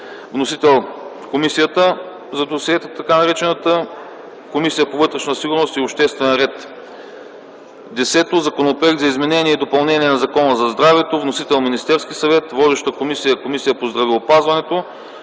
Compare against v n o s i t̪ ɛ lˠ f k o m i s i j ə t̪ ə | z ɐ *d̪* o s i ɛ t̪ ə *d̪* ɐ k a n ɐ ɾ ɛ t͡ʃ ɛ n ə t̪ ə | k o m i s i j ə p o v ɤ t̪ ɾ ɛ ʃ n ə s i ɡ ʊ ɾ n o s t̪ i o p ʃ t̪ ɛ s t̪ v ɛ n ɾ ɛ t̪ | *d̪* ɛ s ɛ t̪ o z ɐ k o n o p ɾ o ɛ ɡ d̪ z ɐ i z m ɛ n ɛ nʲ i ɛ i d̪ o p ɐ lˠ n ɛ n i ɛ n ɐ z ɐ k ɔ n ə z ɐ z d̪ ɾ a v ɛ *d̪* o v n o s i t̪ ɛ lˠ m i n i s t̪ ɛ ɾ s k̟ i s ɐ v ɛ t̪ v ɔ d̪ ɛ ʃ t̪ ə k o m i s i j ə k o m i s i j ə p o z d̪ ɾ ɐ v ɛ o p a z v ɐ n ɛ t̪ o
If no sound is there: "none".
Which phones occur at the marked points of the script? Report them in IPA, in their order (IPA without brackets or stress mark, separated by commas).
d̪, t̪, d̪, t̪